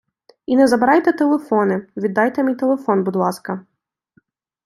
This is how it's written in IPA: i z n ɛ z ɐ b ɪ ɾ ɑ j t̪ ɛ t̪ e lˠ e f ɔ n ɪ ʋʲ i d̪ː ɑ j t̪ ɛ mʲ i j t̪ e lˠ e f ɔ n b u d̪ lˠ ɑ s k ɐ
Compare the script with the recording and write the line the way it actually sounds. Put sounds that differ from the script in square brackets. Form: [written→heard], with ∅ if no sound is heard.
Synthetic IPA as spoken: i [z→∅] n ɛ z ɐ b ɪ ɾ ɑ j t̪ ɛ t̪ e lˠ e f ɔ n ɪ ʋʲ i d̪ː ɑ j t̪ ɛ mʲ i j t̪ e lˠ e f ɔ n b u d̪ lˠ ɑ s k ɐ